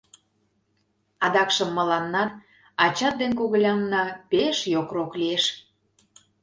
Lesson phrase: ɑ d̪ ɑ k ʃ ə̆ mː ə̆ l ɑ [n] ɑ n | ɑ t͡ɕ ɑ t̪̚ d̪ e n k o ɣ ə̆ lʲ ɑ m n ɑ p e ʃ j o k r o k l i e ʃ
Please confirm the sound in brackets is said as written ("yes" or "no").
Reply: no